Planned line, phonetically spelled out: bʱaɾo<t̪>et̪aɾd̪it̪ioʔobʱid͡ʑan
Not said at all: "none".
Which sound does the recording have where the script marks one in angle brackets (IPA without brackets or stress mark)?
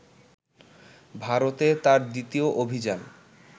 t̪